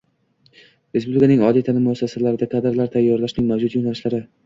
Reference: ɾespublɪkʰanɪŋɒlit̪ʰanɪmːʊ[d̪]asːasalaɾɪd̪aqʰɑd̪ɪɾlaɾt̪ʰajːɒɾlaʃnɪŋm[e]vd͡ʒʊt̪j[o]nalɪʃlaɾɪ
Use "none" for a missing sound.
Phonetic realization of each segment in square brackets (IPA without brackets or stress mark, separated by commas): none, a, o